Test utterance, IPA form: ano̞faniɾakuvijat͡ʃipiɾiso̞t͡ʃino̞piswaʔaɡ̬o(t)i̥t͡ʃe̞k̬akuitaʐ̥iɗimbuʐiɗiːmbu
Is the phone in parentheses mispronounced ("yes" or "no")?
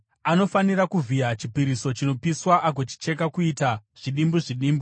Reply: yes